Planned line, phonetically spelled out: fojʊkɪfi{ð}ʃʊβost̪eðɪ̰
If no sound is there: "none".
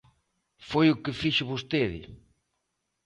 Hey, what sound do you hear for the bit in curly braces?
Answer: none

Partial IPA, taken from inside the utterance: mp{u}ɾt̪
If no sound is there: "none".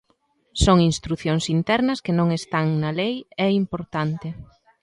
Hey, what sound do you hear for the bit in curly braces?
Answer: o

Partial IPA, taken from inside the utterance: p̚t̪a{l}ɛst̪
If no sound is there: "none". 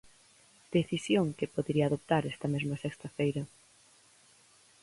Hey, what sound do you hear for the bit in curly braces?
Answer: ɾ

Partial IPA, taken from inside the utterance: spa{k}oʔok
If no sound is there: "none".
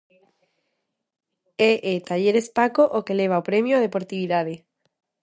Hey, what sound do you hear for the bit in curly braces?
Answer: k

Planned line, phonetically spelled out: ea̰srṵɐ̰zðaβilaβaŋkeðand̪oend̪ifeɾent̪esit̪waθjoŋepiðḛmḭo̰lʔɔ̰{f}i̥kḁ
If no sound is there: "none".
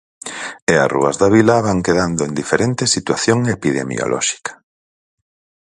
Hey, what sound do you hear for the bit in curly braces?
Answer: ʃ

